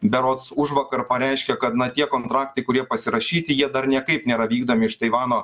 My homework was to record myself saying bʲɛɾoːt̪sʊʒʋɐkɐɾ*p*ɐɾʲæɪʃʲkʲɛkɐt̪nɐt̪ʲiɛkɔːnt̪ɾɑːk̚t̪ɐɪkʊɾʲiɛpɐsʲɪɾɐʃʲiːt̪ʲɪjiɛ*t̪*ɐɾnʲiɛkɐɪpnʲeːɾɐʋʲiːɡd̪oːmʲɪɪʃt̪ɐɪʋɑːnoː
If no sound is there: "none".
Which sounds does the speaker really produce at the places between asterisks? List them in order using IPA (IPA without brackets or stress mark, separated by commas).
p, d̪